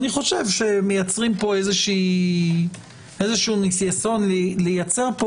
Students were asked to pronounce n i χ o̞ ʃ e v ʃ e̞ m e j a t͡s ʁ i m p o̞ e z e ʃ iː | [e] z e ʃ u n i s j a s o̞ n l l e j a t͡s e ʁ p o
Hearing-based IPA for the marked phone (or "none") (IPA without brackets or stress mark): e